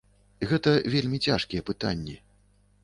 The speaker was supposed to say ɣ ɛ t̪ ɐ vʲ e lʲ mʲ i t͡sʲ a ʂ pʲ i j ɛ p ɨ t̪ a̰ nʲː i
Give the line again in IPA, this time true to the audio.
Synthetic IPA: ɣ ɛ t̪ ɐ vʲ e lʲ mʲ i t͡sʲ a ʂ kʲ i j ɛ p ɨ t̪ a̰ nʲː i